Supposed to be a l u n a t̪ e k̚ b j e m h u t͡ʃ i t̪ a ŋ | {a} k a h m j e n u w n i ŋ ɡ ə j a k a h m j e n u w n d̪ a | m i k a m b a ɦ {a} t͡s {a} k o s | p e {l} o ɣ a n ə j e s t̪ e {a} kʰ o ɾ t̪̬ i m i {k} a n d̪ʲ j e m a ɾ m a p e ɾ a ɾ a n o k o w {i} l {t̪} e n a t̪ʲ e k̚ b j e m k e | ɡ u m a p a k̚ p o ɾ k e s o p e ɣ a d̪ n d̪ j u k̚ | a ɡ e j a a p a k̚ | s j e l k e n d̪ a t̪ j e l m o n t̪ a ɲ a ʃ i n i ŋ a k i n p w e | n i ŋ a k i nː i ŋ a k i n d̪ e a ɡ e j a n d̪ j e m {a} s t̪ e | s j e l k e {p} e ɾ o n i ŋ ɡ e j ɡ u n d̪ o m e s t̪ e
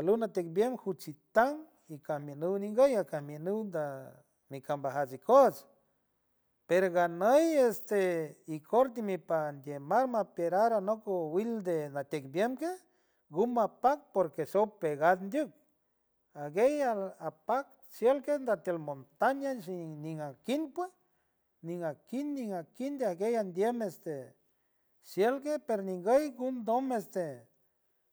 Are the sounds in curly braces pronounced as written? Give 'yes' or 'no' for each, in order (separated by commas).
no, yes, no, no, no, no, yes, no, no, yes